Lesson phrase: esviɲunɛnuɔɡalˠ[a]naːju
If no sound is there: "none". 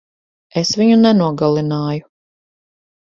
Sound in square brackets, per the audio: i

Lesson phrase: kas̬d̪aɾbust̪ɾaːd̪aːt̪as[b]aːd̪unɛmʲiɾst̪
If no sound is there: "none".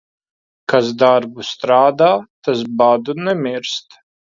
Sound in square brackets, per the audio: b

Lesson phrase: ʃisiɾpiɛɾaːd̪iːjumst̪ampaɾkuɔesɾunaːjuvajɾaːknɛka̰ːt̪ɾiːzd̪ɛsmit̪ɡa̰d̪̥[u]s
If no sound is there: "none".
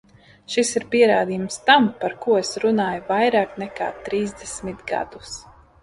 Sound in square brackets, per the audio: u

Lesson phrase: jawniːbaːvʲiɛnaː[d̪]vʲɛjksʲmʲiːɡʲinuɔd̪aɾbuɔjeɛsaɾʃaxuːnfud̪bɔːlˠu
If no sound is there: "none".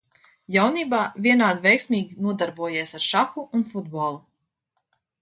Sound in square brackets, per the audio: d̪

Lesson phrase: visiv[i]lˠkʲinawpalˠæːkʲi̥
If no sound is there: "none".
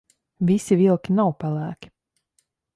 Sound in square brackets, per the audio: i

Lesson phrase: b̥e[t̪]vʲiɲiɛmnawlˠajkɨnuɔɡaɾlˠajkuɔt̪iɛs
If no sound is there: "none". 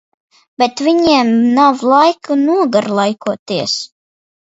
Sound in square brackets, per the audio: t̪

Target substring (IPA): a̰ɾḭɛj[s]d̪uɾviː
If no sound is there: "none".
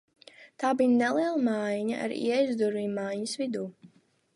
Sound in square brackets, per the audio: z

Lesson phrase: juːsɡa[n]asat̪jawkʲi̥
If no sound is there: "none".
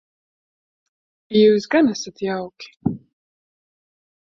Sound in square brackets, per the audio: n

